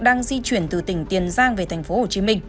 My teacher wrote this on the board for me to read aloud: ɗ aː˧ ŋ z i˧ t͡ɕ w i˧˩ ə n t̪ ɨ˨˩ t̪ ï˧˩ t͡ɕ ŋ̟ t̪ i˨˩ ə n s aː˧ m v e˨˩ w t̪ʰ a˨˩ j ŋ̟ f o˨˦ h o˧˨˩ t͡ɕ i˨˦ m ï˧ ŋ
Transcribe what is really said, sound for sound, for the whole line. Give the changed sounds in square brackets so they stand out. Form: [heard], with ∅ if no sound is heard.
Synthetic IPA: ɗ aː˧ ŋ z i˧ t͡ɕ w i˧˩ ə n t̪ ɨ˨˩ t̪ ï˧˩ [∅] ŋ̟ t̪ i˨˩ ə n [z] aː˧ [ŋ] v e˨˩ [∅] t̪ʰ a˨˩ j ŋ̟ f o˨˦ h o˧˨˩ t͡ɕ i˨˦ m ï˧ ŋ